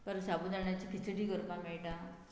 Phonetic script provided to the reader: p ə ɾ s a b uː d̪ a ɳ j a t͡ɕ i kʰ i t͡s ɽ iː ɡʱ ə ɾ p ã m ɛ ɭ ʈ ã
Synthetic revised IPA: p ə ɾ s a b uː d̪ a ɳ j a t͡ɕ i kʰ i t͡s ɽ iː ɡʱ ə ɾ p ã m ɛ ɭ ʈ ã